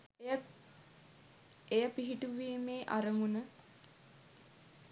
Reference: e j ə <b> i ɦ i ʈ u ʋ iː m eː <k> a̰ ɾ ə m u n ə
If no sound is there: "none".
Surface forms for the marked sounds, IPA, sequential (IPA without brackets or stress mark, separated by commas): p, ʔ